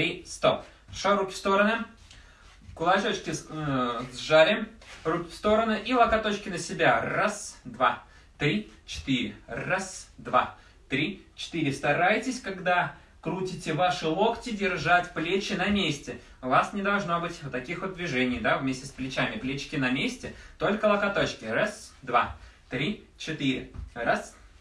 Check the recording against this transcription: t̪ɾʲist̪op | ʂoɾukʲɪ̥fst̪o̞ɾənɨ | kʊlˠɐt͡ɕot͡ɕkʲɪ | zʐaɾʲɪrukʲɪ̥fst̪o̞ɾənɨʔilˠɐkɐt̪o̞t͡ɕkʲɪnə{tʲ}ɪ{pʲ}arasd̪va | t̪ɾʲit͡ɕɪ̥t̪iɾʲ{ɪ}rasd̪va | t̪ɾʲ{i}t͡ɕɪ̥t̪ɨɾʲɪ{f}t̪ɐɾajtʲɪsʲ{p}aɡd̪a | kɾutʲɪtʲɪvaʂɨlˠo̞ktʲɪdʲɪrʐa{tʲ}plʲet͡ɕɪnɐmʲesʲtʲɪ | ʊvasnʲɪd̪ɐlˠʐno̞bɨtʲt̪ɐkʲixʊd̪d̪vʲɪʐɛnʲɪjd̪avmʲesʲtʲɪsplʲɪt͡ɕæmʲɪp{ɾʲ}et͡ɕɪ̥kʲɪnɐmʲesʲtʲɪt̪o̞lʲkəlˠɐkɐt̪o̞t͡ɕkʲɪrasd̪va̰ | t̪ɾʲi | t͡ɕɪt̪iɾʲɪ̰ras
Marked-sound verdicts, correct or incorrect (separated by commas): incorrect, incorrect, correct, correct, incorrect, incorrect, correct, incorrect